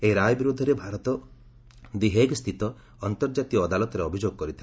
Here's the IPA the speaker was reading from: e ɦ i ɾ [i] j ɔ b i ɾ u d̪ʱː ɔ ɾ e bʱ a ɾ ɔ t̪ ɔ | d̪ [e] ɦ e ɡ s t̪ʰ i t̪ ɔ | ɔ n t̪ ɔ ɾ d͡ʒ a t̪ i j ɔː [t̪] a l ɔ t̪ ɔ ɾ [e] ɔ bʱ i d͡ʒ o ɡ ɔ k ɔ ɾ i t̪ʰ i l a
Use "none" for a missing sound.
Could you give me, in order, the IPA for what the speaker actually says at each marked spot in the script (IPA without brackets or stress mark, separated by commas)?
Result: a, i, d̪, e